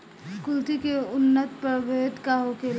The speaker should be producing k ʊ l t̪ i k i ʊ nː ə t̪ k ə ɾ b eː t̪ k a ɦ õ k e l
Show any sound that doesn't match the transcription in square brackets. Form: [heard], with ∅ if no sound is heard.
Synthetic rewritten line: k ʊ l t̪ i k [e] ʊ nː ə t̪ [p] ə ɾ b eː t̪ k a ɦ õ k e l